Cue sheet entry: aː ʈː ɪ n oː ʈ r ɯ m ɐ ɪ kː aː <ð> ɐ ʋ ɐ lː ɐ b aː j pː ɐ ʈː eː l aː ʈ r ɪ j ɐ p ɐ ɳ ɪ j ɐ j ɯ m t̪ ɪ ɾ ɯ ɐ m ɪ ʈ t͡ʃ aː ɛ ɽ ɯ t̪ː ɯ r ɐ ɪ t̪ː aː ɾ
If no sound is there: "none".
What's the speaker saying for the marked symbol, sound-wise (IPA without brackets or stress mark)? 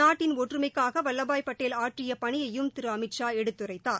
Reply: ɣ